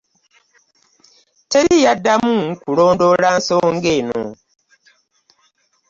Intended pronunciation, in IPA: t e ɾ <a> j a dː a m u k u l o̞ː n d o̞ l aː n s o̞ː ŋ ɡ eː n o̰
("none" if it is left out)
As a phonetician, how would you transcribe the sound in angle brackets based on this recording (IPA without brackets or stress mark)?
i